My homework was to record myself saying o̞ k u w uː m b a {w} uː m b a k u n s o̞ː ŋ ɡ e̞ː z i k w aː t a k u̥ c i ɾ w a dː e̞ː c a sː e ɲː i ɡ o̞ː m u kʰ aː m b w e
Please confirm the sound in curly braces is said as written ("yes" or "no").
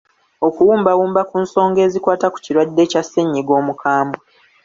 yes